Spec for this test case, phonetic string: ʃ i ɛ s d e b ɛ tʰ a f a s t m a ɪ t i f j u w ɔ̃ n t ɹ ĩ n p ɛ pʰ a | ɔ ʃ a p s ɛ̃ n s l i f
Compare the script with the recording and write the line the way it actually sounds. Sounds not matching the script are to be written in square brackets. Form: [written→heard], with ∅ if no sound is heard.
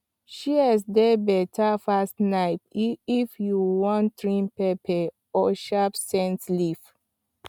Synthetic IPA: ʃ i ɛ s d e b ɛ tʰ a f a s t [m→n] a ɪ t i f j u w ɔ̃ n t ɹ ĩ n p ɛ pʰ [a→ɛ] | ɔ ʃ a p s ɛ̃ n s l i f